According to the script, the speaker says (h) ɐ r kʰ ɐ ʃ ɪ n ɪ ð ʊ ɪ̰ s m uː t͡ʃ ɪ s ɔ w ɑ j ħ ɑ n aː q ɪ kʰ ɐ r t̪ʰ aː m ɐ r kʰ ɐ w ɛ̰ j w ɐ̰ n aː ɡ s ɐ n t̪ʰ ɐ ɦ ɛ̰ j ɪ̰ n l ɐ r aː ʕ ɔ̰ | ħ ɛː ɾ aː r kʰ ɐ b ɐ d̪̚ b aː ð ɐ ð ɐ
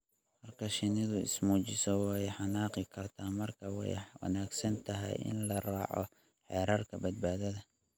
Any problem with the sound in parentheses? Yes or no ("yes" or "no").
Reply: no